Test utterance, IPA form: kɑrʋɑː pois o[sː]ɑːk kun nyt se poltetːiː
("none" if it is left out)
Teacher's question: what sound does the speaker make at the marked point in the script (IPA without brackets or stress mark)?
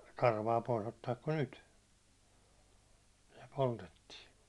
tː